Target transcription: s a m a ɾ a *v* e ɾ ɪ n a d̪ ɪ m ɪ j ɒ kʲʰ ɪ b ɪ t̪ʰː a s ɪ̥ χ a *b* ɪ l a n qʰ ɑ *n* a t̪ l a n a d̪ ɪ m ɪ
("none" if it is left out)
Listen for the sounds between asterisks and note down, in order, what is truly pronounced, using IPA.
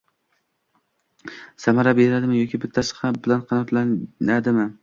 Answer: b, b, n

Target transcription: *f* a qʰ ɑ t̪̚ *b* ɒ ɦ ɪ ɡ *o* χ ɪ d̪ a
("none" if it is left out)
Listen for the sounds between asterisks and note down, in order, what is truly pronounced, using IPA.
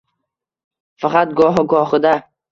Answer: f, ɡ, ɒ

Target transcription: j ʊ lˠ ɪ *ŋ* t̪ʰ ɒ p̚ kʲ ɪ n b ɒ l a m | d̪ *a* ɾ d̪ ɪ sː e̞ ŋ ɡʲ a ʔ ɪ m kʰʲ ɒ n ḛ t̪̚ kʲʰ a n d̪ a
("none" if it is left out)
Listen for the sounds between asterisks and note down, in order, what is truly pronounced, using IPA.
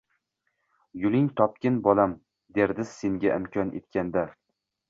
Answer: ŋ, e

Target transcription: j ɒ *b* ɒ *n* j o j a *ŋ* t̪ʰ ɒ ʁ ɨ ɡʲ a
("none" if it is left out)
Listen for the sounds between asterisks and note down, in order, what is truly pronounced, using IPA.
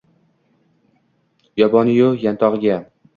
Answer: b, n, n

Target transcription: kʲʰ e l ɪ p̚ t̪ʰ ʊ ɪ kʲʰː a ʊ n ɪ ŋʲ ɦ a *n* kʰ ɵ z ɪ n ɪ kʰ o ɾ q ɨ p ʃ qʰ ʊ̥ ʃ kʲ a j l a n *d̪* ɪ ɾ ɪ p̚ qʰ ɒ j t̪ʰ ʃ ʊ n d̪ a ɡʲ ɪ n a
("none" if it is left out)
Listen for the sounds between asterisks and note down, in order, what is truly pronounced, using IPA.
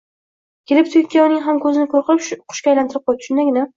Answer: m, t̪

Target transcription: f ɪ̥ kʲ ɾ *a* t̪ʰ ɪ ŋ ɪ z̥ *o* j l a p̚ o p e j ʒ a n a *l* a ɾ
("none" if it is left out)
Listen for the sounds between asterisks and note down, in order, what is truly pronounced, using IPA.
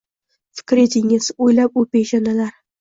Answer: e, o, l

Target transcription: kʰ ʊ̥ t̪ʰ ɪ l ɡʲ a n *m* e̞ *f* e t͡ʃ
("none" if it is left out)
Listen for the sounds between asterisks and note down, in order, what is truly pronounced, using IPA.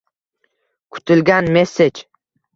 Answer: m, s

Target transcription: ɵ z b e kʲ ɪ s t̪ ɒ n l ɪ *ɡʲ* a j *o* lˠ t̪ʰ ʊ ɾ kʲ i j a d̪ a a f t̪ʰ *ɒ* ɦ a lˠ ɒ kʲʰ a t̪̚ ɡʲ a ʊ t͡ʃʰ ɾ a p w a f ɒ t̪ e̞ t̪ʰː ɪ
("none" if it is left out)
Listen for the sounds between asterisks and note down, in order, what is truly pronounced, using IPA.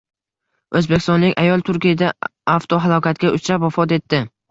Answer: kʲ, ɒ, o

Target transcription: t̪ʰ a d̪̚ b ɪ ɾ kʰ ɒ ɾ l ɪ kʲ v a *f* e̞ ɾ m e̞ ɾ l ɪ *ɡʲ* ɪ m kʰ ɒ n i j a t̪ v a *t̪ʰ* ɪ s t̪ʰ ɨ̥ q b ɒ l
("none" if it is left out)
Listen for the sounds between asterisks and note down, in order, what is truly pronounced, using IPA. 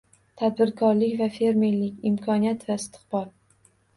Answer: f, kʲ, none

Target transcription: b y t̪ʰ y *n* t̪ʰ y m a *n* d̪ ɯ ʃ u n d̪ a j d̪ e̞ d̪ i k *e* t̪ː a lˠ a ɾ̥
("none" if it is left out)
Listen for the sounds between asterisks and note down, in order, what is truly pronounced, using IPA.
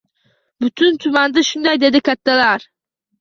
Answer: n, n, a

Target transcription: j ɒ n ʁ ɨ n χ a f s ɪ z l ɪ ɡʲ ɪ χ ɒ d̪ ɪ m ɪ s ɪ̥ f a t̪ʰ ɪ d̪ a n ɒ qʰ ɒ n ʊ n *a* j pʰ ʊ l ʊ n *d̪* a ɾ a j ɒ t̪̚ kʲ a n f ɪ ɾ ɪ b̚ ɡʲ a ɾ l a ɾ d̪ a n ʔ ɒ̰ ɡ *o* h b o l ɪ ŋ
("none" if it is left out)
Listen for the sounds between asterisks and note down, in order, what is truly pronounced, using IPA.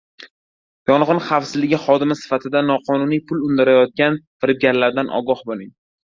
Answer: i, d̪, ɒ

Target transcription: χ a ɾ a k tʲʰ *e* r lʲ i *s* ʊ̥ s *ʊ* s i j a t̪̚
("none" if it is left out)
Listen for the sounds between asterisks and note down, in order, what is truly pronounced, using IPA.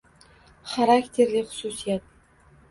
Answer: e, χ, u

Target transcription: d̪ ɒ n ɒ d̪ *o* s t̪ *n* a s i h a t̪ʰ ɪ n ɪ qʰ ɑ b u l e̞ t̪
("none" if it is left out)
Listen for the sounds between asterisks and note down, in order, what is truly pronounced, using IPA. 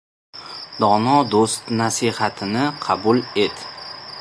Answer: o, n

